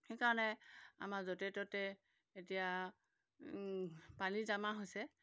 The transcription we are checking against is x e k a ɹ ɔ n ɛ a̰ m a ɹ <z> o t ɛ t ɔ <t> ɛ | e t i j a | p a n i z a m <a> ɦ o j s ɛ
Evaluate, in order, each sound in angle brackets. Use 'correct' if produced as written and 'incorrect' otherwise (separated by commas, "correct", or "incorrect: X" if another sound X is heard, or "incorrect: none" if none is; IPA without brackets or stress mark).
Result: correct, correct, correct